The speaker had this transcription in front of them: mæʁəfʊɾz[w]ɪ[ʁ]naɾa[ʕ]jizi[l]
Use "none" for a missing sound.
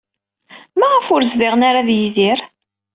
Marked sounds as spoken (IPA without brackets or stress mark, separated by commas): v, ʁ, ð, ɾ